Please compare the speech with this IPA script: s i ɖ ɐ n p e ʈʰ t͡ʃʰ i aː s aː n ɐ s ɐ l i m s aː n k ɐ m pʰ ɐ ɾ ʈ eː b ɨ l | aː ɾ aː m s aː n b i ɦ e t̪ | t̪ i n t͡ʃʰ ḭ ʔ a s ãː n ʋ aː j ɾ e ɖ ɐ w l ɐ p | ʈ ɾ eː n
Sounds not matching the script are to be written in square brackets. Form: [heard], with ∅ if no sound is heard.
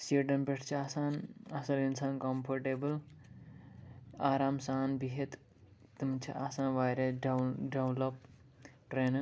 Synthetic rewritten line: s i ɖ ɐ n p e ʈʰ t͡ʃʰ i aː s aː n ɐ s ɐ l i [n] s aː n k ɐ m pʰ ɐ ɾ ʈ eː b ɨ l | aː ɾ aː m s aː n b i ɦ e t̪ | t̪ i [m] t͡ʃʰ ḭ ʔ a s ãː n ʋ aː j ɾ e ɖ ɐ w l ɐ p | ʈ ɾ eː n